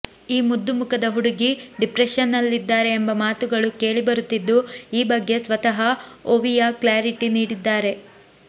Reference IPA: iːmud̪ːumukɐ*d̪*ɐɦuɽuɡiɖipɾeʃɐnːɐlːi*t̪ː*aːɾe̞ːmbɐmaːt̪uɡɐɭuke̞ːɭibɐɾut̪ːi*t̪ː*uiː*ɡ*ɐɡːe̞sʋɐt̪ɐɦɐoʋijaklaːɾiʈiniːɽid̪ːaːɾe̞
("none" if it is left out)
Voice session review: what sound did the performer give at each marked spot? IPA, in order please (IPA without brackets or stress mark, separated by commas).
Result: d̪, d̪ː, d̪ː, b